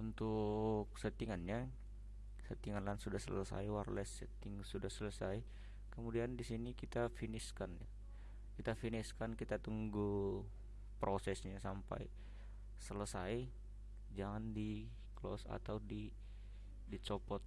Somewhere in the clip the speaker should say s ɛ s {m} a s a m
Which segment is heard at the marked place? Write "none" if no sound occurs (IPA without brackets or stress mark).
ɲ